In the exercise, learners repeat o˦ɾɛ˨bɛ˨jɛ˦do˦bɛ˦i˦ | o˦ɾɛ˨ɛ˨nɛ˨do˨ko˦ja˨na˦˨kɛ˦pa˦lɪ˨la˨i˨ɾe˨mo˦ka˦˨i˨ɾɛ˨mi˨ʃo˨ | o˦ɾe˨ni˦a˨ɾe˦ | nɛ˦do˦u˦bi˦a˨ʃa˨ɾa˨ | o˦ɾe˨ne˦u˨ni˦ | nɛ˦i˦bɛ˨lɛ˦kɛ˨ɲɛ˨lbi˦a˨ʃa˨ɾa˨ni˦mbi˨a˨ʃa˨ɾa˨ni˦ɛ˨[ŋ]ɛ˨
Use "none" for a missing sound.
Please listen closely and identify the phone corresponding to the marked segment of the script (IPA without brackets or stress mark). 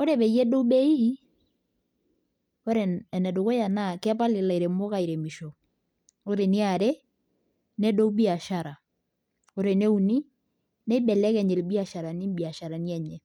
ɲ